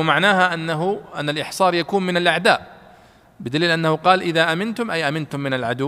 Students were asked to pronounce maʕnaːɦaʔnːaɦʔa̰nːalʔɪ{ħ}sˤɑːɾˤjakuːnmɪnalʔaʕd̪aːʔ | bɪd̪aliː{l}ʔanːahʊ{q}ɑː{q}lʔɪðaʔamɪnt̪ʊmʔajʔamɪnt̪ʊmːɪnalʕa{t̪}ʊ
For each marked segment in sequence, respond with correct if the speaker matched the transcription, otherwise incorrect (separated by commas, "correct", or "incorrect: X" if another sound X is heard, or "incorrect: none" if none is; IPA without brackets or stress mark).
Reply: correct, correct, correct, incorrect: none, incorrect: d̪